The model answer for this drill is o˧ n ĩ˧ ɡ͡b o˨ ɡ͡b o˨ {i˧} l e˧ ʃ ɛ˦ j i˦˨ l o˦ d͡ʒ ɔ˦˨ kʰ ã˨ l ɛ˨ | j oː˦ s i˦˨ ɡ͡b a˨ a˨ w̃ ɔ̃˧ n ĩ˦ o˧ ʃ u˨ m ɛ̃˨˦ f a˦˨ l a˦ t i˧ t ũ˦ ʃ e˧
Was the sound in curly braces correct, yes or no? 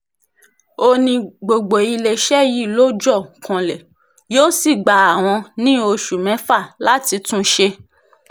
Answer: yes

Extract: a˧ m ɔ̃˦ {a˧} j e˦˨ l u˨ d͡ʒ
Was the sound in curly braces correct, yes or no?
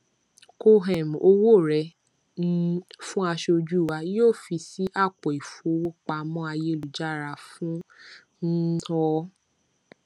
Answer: yes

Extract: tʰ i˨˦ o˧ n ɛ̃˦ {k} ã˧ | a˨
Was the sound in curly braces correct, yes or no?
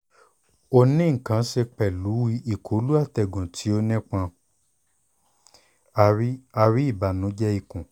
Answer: no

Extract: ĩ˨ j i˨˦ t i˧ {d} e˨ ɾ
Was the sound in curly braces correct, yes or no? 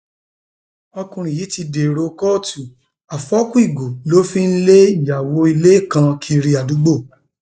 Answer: yes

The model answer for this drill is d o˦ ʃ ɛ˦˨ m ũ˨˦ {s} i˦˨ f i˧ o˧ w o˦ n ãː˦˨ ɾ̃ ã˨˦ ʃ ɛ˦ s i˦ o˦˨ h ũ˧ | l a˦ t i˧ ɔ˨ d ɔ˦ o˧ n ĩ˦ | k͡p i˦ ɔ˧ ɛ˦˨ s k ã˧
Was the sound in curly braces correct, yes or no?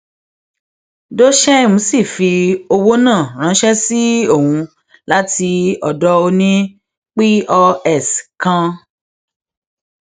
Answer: yes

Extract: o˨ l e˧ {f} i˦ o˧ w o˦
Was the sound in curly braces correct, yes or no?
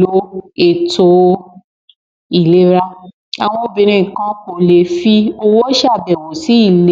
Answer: yes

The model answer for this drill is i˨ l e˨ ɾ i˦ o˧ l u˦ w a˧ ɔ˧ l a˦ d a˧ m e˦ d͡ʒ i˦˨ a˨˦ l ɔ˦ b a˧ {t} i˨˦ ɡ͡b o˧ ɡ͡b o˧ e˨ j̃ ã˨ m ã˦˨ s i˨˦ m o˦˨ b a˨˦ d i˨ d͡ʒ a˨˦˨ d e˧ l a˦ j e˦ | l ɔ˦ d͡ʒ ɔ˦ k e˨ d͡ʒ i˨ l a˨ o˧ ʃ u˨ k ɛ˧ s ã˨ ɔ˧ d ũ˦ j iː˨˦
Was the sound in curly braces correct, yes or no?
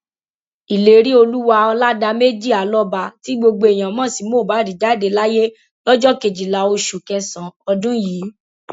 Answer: yes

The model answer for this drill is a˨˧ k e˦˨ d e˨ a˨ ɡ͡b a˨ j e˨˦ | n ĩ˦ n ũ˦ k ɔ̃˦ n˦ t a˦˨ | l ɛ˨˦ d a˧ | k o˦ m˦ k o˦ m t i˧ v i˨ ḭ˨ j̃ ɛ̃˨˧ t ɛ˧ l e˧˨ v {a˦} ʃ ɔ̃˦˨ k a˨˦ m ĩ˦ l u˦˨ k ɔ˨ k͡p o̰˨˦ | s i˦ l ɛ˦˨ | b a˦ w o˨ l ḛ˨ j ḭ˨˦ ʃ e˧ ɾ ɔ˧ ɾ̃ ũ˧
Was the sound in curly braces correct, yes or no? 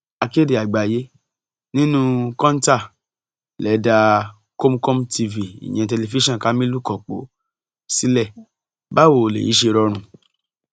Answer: no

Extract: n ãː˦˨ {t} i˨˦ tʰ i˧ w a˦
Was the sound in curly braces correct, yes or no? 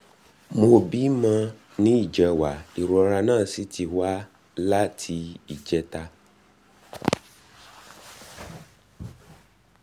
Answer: no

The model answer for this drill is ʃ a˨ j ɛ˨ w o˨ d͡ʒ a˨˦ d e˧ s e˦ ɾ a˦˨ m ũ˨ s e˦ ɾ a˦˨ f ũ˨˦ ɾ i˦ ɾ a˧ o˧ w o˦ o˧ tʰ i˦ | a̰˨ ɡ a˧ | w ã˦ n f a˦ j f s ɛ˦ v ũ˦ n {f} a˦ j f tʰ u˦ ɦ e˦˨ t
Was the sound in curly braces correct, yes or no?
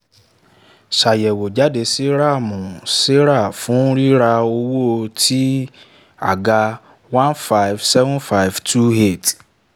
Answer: yes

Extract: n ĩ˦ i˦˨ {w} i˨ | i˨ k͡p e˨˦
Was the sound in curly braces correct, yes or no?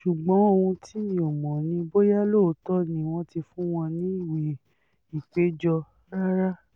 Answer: yes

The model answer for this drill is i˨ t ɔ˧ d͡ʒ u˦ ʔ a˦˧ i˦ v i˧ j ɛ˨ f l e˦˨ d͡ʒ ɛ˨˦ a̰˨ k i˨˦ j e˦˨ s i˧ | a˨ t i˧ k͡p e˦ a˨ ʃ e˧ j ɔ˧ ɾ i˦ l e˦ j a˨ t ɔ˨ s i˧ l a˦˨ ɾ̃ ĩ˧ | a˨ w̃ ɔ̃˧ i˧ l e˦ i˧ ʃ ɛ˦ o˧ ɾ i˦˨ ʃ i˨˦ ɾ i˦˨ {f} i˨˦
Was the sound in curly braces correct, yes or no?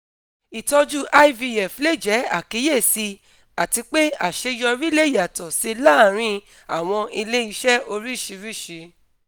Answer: no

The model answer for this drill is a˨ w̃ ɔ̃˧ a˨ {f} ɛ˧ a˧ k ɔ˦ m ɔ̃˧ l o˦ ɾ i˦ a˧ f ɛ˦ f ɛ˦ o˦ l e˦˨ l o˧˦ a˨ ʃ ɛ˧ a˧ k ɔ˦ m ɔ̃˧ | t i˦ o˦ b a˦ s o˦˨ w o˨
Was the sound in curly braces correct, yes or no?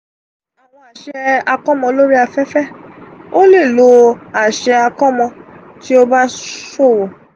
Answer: no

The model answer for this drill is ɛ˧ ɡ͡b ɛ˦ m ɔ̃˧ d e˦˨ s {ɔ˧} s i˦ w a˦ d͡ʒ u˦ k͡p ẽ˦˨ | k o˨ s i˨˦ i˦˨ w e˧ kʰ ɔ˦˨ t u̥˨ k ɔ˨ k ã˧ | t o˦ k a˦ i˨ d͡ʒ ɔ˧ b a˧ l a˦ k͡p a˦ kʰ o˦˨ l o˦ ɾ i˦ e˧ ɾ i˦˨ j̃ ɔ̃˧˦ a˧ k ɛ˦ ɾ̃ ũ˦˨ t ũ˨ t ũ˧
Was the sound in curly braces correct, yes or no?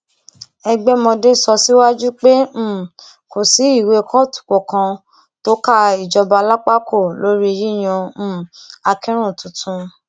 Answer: yes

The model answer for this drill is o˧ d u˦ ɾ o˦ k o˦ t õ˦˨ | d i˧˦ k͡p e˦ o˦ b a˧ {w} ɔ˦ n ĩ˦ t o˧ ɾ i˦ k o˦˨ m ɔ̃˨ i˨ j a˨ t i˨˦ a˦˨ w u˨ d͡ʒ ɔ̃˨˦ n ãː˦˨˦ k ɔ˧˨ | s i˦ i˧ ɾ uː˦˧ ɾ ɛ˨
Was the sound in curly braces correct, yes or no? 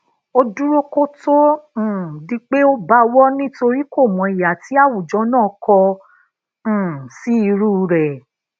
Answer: yes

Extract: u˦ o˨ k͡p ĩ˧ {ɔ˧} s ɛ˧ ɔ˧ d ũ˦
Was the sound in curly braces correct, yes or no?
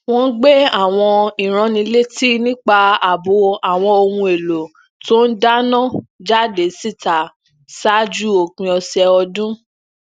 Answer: yes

